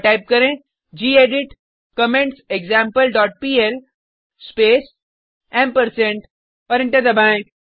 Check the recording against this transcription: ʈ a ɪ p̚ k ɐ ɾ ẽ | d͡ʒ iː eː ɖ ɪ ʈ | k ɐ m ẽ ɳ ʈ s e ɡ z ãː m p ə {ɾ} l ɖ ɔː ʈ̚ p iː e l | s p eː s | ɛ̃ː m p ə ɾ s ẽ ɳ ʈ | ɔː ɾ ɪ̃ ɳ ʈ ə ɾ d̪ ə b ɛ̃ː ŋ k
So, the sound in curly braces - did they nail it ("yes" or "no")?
no